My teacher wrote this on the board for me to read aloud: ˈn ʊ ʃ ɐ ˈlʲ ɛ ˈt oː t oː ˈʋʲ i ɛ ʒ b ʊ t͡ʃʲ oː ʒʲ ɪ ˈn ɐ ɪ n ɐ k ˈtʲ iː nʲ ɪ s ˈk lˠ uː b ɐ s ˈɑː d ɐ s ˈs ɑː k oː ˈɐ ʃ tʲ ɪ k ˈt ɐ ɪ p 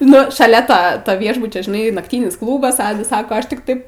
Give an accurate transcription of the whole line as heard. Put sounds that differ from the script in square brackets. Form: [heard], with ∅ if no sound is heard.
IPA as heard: ˈn ʊ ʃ ɐ ˈlʲ ɛ ˈt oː t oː ˈʋʲ i ɛ ʒ b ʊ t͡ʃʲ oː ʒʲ ɪ ˈn ɐ ɪ n ɐ k ˈtʲ iː nʲ ɪ s ˈk lˠ uː b ɐ s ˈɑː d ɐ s ˈs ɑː k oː ˈɐ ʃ tʲ ɪ k ˈt ɐ ɪ p